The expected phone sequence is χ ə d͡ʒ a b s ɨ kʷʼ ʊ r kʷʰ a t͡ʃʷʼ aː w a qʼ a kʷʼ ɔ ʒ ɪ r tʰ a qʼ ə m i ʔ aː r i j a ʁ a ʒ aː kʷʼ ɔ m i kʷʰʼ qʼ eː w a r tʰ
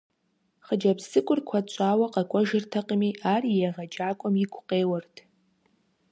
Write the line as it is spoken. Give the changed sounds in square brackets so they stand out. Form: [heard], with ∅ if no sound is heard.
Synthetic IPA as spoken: χ ə d͡ʒ a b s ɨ kʷʼ ʊ r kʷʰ a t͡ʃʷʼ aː w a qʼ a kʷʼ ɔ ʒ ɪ r tʰ a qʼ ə m i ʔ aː r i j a ʁ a [d͡ʒ] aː kʷʼ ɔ m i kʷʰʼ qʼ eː w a r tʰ